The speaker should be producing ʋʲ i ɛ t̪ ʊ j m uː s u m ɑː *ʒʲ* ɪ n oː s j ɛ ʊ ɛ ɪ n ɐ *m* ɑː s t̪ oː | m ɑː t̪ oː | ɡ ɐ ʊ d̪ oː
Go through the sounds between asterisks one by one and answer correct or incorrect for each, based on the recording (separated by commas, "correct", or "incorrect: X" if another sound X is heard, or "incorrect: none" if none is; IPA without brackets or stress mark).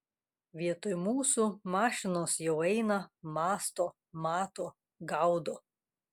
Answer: incorrect: ʃʲ, correct